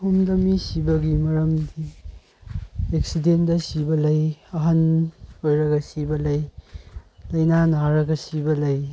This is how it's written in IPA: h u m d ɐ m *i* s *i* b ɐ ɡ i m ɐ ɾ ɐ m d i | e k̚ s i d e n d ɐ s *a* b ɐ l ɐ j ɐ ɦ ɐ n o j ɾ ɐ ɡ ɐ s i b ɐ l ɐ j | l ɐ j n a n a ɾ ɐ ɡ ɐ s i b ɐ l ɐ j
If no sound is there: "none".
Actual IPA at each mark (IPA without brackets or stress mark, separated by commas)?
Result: i, i, i